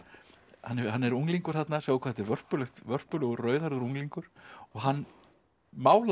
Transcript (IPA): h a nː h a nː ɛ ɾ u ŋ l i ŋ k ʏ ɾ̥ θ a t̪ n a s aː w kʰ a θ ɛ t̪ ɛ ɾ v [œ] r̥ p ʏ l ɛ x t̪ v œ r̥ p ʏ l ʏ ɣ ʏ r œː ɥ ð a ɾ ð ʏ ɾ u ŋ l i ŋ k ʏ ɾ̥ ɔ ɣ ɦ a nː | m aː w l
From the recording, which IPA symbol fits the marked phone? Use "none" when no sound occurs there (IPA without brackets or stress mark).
œ